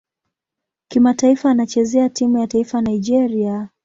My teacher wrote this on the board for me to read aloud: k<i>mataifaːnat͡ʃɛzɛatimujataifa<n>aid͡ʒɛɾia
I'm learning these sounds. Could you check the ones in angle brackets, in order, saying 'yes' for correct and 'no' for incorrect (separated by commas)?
yes, yes